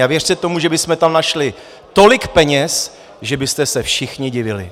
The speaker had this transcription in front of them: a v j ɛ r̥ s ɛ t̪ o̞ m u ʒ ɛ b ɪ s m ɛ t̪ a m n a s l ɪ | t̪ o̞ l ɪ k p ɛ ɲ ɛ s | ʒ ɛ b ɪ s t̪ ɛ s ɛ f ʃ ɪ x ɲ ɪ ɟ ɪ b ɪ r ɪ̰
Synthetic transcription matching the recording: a v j ɛ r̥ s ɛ t̪ o̞ m u ʒ ɛ b ɪ s m ɛ t̪ a m n a ʃ l ɪ | t̪ o̞ l ɪ k p ɛ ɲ ɛ s | ʒ ɛ b ɪ s t̪ ɛ s ɛ f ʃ ɪ x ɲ ɪ ɟ ɪ v ɪ l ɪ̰